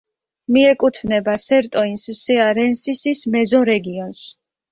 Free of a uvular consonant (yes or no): yes